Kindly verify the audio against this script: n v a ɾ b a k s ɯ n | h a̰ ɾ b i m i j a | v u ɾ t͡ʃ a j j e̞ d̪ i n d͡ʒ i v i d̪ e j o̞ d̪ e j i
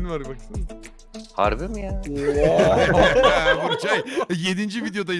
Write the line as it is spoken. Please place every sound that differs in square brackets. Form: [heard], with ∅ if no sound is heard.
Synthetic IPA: n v a ɾ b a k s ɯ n | h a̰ ɾ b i m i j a | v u ɾ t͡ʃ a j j e̞ d̪ i n d͡ʒ i v i d̪ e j o̞ d̪ [a] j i